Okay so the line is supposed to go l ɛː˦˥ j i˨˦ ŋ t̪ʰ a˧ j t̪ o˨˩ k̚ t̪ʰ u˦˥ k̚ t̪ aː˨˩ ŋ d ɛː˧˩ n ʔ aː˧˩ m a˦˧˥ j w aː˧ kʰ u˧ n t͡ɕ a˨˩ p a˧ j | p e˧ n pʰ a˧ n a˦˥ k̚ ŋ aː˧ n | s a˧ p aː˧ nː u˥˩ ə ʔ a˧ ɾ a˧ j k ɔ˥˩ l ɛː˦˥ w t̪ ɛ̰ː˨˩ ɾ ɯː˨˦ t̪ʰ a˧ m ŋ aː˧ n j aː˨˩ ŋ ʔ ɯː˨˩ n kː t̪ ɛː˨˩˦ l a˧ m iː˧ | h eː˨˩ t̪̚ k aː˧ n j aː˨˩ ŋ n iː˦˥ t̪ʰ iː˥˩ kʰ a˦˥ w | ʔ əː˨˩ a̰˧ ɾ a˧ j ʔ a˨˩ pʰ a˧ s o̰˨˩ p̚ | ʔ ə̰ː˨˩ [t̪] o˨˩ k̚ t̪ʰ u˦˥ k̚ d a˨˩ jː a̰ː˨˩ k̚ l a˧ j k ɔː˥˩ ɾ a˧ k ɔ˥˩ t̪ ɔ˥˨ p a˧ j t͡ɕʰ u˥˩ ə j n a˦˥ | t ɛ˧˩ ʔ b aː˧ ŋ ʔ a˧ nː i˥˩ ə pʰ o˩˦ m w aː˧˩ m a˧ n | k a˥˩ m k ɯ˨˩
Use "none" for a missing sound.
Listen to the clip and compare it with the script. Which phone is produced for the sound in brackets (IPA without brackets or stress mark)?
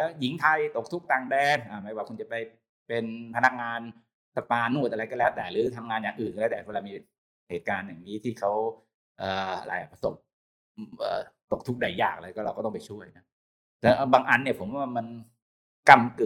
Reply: t̪